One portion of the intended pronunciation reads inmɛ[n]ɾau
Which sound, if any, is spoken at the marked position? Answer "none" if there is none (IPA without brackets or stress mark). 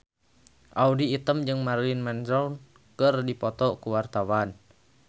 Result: n